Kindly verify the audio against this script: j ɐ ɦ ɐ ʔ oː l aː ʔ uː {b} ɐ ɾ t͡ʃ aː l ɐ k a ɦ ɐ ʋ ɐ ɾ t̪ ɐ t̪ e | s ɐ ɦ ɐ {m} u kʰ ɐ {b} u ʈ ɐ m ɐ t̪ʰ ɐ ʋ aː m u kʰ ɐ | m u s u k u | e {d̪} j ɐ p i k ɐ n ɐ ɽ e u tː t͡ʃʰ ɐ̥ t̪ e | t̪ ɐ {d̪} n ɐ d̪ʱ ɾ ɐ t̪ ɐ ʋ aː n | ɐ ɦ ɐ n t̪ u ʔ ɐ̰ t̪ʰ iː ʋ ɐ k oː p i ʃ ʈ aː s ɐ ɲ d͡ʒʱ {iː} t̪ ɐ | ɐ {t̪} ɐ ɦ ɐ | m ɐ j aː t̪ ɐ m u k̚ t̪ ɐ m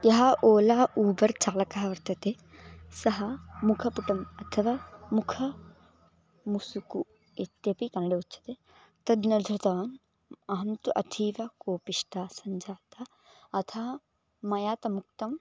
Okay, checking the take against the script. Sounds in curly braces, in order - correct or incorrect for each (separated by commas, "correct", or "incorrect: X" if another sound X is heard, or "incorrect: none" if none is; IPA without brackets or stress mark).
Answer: correct, correct, incorrect: p, incorrect: t̪, correct, incorrect: aː, incorrect: t̪ʰ